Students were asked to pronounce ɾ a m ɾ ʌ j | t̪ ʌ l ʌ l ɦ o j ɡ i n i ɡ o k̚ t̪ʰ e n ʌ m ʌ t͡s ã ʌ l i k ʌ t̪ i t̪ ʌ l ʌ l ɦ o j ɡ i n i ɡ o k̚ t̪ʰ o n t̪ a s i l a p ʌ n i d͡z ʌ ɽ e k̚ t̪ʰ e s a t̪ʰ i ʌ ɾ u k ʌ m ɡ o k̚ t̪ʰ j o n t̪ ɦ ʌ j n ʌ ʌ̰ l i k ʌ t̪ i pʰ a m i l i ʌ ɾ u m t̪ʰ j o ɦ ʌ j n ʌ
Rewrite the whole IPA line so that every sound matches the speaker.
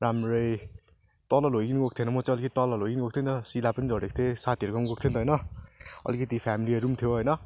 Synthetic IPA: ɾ a m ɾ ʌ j | t̪ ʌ l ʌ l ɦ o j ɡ i n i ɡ o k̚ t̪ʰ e n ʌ m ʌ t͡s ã ʌ l i k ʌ t̪ i t̪ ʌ l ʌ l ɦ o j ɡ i n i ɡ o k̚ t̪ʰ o n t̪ ʌ s i l a p ʌ n i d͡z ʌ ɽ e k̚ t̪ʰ e s a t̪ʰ i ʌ ɾ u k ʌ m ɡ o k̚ t̪ʰ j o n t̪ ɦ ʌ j n ʌ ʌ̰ l i k ʌ t̪ i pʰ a m i l i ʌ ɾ u m t̪ʰ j o ɦ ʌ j n ʌ